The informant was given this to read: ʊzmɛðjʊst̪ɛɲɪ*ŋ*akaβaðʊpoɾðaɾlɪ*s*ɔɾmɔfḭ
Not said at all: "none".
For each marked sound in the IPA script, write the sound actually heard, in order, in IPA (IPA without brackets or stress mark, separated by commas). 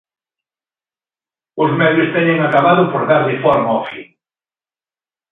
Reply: ŋ, f